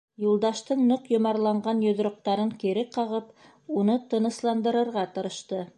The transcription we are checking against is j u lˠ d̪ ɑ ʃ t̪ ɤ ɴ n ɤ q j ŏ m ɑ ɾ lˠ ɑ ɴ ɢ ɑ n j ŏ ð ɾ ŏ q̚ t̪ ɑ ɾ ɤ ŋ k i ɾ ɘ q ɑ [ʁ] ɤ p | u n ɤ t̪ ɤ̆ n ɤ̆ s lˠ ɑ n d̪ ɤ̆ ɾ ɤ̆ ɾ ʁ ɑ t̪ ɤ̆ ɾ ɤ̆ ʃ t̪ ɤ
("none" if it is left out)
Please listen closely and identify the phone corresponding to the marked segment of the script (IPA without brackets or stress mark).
ʁ